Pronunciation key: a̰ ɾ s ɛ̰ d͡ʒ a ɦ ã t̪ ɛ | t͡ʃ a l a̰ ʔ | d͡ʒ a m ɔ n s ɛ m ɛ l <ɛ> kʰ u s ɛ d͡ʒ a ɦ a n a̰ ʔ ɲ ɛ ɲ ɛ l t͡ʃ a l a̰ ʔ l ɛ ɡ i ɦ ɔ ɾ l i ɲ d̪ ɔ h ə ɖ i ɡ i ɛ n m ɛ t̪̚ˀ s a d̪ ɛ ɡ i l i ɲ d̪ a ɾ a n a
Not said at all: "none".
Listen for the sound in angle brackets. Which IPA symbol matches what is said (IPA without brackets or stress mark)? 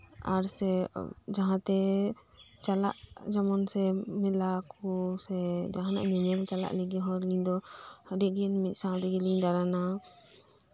a